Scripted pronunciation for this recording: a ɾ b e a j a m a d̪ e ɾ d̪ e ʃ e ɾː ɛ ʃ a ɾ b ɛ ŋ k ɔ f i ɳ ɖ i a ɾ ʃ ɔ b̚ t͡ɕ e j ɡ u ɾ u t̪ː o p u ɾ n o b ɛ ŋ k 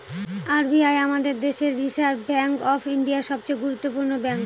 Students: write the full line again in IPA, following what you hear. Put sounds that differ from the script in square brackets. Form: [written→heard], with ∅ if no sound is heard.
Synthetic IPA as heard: a ɾ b [e→i] a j a m a d̪ e ɾ d̪ e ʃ e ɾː [ɛ→i] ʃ a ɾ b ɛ ŋ k ɔ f i ɳ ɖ i a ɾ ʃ ɔ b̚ t͡ɕ e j ɡ u ɾ u t̪ː o p u ɾ n o b ɛ ŋ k